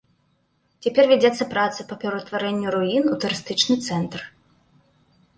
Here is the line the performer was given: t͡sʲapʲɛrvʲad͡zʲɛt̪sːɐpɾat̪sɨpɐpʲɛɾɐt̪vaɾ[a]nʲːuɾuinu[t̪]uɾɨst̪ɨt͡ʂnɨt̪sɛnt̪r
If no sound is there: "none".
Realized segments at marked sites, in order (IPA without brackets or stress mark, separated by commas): ɛ, t̪